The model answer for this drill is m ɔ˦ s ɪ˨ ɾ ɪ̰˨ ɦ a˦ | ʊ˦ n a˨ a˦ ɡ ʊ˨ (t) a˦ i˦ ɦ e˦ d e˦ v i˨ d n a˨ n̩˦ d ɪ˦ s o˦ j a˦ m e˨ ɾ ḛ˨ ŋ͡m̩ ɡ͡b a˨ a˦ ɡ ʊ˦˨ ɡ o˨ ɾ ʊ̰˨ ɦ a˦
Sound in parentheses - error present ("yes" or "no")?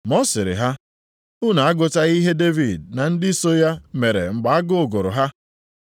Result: no